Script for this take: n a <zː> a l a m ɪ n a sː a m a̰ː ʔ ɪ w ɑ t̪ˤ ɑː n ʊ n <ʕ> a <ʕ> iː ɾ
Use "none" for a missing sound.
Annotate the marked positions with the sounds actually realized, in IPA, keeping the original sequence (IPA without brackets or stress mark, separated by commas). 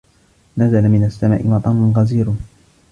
z, ɣ, z